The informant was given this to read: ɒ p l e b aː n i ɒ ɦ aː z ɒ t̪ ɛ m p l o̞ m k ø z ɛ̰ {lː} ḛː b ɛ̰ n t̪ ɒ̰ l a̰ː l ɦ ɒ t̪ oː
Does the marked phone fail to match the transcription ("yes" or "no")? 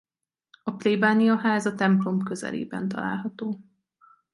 yes